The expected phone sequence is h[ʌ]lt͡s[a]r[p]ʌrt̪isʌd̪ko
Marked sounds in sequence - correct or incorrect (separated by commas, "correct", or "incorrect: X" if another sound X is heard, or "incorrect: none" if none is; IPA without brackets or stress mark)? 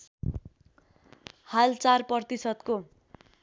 incorrect: a, correct, correct